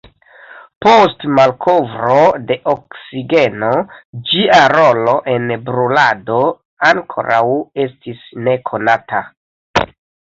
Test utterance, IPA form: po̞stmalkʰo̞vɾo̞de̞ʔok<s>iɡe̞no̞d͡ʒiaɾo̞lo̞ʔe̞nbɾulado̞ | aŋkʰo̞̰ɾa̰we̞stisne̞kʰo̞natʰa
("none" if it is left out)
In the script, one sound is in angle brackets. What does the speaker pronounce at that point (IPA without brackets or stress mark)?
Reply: s